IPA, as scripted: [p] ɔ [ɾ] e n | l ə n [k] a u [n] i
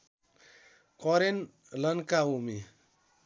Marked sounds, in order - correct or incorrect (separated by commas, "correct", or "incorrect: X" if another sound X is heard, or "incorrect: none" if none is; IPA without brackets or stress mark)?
incorrect: k, correct, correct, incorrect: m